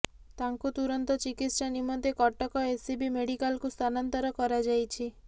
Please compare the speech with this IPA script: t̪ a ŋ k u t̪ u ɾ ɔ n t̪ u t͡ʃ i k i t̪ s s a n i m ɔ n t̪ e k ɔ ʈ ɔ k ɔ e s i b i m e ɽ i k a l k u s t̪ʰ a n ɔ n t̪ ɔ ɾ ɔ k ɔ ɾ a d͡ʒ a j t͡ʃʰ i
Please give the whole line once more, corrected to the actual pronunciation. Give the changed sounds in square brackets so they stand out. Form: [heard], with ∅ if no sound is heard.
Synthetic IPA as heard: t̪ a ŋ k u t̪ u ɾ ɔ n t̪ [ɔ] t͡ʃ i k i t̪ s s a n i m ɔ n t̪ e k ɔ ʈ ɔ k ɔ e s i b i m e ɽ i k a l k u s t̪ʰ a n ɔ n t̪ ɔ ɾ ɔ k ɔ ɾ a d͡ʒ a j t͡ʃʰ i